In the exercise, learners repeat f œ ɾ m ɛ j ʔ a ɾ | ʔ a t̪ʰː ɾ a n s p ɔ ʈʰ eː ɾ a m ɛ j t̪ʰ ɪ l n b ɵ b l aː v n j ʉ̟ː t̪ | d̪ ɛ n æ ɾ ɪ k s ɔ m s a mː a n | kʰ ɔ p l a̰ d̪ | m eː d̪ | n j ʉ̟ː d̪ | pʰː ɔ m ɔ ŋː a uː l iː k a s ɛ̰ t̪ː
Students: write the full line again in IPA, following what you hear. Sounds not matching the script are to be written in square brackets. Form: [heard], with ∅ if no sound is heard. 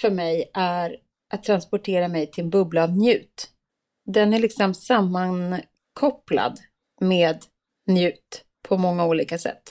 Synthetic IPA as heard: f œ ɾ m ɛ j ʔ [æ] ɾ | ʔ a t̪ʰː ɾ a n s p ɔ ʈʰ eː ɾ a m ɛ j t̪ʰ ɪ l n b ɵ b l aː v n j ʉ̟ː t̪ | d̪ ɛ n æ [ɭ] ɪ k s ɔ m s a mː a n | kʰ ɔ p l a̰ d̪ | m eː d̪ | n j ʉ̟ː [t̪] | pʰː ɔ m ɔ ŋː a uː l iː k a s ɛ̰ t̪ː